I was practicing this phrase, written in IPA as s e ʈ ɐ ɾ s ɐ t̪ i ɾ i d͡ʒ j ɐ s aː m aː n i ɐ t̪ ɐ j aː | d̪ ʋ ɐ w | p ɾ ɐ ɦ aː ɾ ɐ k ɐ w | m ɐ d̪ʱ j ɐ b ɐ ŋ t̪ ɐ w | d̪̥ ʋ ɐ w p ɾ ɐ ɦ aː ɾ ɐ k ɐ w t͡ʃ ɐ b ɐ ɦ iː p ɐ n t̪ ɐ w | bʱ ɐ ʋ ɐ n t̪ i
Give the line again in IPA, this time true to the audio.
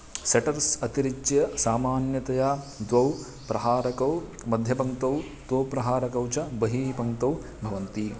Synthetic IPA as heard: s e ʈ ɐ ɾ s ɐ t̪ i ɾ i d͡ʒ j ɐ s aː m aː n j ɐ t̪ ɐ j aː | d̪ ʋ ɐ w | p ɾ ɐ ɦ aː ɾ ɐ k ɐ w | m ɐ d̪ʱ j ɐ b ɐ ŋ t̪ ɐ w | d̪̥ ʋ ɐ w p ɾ ɐ ɦ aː ɾ ɐ k ɐ w t͡ʃ ɐ b ɐ ɦ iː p ɐ ŋ t̪ ɐ w | bʱ ɐ ʋ ɐ n t̪ i